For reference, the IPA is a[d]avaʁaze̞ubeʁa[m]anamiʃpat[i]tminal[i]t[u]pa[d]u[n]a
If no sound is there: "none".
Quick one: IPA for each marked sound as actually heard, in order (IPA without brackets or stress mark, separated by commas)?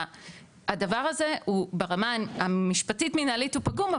d, m, i, i, u, ɡ, m